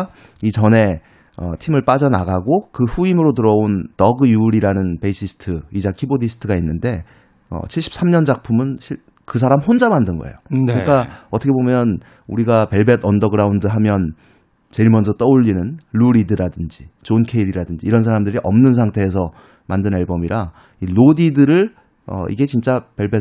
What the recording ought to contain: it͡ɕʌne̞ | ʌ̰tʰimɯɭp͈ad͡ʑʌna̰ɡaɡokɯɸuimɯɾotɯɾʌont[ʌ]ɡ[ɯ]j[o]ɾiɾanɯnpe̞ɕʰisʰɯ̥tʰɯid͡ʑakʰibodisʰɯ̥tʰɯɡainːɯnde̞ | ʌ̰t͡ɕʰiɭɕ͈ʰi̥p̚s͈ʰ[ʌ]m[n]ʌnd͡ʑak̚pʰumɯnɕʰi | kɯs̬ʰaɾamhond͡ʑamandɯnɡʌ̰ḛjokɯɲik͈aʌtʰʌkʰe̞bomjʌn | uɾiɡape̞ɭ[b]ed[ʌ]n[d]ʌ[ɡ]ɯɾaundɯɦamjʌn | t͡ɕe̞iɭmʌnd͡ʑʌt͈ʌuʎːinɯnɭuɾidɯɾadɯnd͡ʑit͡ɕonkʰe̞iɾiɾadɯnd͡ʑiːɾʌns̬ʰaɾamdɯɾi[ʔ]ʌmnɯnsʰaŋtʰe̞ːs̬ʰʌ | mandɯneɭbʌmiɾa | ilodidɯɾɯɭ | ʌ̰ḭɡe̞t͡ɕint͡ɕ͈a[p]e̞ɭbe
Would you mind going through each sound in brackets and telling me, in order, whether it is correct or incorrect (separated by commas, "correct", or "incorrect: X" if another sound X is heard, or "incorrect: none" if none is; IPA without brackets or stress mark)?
correct, correct, incorrect: u, incorrect: a, incorrect: ɲ, correct, correct, correct, correct, correct, correct